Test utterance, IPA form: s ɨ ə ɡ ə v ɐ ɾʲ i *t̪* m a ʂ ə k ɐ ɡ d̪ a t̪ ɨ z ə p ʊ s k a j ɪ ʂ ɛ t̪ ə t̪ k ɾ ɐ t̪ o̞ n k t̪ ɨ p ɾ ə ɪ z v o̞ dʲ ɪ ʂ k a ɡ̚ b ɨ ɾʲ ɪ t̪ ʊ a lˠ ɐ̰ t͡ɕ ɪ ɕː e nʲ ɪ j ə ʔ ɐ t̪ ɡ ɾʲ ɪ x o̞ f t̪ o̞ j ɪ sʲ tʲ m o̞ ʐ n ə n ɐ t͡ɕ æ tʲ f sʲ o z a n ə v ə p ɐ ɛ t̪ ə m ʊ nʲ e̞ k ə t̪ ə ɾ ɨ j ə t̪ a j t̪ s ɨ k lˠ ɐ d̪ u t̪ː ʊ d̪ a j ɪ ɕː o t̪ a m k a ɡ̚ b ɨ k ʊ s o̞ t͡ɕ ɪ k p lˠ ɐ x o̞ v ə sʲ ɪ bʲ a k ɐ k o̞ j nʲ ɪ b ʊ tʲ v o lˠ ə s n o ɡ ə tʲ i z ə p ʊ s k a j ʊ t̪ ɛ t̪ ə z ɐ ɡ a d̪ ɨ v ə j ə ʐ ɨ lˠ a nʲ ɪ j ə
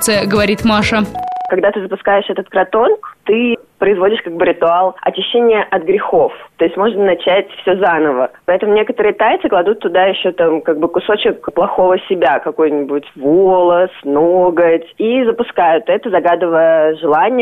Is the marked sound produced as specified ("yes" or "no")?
yes